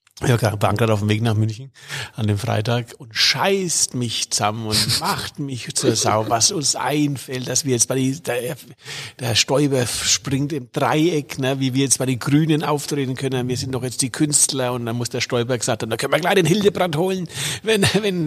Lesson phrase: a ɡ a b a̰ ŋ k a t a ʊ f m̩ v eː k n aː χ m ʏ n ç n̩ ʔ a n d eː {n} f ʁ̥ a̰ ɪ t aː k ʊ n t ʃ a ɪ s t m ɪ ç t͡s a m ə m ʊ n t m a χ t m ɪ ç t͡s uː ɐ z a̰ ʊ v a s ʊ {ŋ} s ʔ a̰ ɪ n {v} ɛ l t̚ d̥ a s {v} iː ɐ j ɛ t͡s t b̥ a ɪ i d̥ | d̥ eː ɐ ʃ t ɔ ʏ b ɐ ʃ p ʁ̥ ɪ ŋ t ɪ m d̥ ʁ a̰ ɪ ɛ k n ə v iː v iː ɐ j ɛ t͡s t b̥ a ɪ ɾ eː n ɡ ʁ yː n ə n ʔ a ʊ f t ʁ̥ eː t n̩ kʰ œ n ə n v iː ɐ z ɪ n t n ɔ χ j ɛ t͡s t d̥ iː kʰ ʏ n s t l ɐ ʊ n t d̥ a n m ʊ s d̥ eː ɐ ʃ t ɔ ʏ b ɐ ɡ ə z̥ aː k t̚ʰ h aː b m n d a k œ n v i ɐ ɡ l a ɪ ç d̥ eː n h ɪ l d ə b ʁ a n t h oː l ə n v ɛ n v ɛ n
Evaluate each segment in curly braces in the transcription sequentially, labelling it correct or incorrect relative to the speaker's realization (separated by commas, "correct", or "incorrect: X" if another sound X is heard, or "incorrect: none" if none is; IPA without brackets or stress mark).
incorrect: m, incorrect: n, incorrect: f, correct